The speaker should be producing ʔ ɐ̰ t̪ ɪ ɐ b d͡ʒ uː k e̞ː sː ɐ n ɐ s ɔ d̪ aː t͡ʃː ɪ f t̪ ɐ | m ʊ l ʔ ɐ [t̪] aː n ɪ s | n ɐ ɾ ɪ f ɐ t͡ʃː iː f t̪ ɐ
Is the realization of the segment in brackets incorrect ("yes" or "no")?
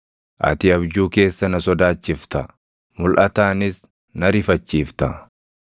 no